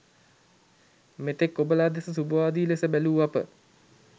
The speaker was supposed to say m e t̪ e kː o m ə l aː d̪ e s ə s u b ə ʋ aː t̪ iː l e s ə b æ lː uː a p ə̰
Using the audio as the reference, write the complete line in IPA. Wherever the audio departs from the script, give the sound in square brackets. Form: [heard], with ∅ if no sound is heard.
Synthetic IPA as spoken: m e t̪ e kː o [b] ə l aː d̪ e s ə s u b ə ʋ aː [d̪] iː l e s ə b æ [l] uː a p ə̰